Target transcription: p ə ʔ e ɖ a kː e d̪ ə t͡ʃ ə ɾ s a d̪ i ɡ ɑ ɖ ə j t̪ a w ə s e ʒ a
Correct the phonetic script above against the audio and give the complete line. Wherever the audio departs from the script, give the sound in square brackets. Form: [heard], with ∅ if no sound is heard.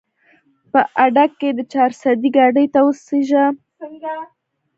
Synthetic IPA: p ə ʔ [a] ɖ a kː e d̪ ə t͡ʃ [ɑ] ɾ s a d̪ i ɡ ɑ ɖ ə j t̪ a w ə s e ʒ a

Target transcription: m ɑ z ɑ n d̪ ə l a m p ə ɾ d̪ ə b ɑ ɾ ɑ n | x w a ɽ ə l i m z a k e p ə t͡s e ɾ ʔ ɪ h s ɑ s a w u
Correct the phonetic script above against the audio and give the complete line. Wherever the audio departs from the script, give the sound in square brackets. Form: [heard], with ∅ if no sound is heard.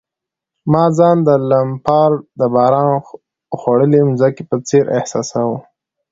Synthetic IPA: m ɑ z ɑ n d̪ ə l a m p [ɑ] ɾ d̪ ə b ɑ ɾ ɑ n | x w a ɽ ə l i m z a k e p ə t͡s e ɾ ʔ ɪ h s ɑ s a w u

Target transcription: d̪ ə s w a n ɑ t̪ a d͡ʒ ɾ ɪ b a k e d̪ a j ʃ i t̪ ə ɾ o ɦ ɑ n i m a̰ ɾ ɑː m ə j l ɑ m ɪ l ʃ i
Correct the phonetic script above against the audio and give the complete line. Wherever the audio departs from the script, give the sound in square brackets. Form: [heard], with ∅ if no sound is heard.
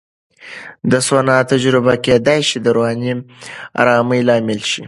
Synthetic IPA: d̪ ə s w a n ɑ t̪ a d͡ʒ ɾ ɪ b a k e d̪ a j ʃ i [d̪] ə ɾ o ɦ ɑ n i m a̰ ɾ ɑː m ə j l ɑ m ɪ l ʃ i

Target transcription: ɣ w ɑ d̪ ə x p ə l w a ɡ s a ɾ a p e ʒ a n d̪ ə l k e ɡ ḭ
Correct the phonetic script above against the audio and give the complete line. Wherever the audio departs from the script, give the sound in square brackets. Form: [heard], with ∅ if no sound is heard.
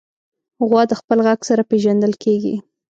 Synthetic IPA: ɣ w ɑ d̪ ə x p ə l [ɣ] a ɡ s a ɾ a p e ʒ a n d̪ ə l k e ɡ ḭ

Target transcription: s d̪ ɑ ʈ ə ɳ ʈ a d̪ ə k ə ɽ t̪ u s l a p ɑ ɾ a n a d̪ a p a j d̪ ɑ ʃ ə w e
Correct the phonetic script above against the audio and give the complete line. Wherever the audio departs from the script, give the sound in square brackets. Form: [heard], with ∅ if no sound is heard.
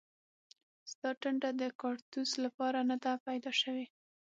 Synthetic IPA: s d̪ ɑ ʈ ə ɳ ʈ a d̪ ə k [ɑ] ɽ t̪ u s l a p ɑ ɾ a n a d̪ a p a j d̪ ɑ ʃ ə w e

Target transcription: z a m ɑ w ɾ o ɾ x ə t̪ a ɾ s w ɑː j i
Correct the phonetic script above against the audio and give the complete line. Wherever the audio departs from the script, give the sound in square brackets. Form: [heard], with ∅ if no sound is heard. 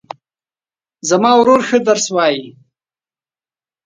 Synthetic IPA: z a m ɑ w ɾ o ɾ x ə [d̪] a ɾ s w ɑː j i

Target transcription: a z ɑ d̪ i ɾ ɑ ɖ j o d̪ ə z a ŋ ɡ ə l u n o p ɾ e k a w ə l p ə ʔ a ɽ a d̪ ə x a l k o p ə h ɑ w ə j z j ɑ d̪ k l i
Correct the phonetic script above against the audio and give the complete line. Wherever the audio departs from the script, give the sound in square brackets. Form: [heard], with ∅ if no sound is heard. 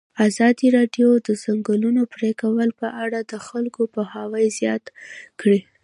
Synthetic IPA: a z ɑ d̪ i ɾ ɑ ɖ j o d̪ ə z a ŋ ɡ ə l u n o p ɾ e k a w ə l p ə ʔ a ɽ a d̪ ə x a l k o p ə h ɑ w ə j z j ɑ [t̪] k [ɽ] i

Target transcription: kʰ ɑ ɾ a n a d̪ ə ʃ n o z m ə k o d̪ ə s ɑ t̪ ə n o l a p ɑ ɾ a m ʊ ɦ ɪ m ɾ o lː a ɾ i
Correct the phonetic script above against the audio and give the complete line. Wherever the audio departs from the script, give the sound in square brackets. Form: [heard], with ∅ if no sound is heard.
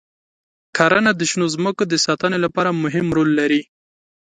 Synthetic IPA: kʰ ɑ ɾ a n a d̪ ə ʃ n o z m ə k o d̪ ə s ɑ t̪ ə n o l a p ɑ ɾ a m ʊ ɦ ɪ m ɾ o lː a ɾ i

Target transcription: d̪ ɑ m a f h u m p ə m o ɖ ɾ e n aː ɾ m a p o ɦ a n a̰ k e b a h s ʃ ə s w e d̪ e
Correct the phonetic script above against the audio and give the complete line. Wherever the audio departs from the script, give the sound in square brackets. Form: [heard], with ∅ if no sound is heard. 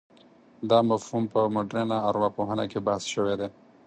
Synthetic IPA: d̪ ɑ m a f h u m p ə m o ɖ ɾ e n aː ɾ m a p o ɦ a n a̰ k e b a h s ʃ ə [∅] w e d̪ e

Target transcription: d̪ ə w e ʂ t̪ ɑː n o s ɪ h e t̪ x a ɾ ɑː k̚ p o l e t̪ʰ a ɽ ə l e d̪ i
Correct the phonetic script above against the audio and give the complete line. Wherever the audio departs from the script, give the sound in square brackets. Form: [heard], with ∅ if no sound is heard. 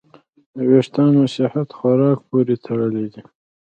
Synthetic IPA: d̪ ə w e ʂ t̪ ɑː n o s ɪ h [a] t̪ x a ɾ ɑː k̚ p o [ɾ] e t̪ʰ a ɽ ə l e d̪ i

